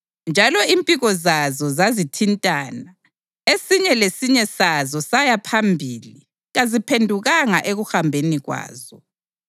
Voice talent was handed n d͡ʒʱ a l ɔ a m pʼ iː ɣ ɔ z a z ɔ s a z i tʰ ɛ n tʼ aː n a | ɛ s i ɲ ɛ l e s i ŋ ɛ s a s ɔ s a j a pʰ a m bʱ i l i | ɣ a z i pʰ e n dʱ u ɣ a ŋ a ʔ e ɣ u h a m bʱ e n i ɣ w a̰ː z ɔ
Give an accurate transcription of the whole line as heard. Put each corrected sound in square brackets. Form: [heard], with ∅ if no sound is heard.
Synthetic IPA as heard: n d͡ʒʱ a l ɔ [i] m pʼ [i] ɣ ɔ z a z ɔ [z] a z i tʰ [i] n tʼ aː n a | [e] s i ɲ ɛ l e s i [ɲ] ɛ s a [z] ɔ s a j a pʰ a m bʱ i l i | ɣ a z i pʰ e n dʱ u ɣ a ŋ a ʔ e ɣ u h a m bʱ e n i ɣ w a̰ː z ɔ